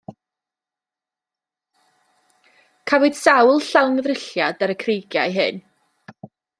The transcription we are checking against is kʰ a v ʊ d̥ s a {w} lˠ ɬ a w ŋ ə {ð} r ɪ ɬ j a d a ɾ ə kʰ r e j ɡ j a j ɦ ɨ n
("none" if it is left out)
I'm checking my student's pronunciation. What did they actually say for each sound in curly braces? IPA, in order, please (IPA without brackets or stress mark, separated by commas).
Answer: w, ð